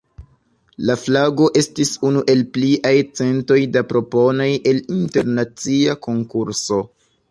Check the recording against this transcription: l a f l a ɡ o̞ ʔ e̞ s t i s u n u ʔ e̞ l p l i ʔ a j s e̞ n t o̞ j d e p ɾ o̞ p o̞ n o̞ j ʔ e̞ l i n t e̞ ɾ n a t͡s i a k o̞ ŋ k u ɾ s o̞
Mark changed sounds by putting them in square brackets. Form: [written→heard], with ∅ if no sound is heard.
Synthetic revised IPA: l a f l a ɡ o̞ ʔ e̞ s t i s u n u ʔ e̞ l p l i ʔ a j [s→t͡s] e̞ n t o̞ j d [e→a] p ɾ o̞ p o̞ n o̞ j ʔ e̞ l i n t e̞ ɾ n a t͡s i a k o̞ ŋ k u ɾ s o̞